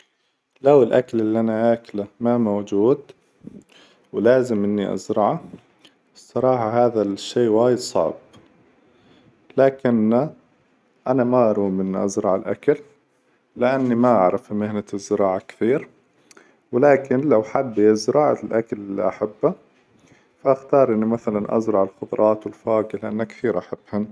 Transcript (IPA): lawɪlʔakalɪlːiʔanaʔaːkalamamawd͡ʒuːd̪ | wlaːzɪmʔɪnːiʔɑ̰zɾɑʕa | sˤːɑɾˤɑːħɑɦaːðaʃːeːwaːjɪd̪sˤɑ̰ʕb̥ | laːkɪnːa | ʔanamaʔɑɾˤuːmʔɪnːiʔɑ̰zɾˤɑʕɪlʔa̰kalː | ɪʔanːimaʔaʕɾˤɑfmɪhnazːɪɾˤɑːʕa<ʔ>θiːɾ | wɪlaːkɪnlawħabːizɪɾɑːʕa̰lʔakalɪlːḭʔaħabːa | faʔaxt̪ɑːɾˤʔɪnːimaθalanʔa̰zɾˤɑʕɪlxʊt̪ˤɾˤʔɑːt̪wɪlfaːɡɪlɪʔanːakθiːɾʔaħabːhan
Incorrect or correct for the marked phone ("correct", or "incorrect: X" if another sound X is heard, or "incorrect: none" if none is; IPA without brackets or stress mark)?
incorrect: k